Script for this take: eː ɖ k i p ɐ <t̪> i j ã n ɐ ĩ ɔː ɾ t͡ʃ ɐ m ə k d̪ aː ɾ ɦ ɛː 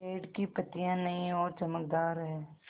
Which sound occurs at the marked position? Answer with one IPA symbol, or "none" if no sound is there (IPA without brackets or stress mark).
t̪